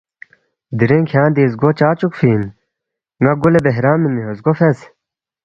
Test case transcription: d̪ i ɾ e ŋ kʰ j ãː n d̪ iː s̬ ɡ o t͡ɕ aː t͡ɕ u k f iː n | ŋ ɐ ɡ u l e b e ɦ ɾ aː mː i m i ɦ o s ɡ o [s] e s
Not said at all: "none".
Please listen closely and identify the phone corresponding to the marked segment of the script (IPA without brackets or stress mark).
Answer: f